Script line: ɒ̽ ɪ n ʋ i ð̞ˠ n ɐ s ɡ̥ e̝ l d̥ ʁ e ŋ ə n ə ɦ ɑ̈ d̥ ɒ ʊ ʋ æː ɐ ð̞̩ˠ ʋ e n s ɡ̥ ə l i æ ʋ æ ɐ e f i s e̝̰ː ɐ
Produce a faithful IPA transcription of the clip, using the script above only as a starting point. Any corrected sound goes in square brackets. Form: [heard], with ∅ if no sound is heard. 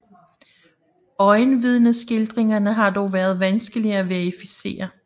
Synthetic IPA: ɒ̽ ɪ n ʋ i ð̞ˠ n [ə] s ɡ̥ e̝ l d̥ ʁ e ŋ [ɐ] n ə ɦ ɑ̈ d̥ ɒ ʊ ʋ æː ɐ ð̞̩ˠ ʋ [æ] n s ɡ̥ ə l i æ ʋ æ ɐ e f i s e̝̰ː ɐ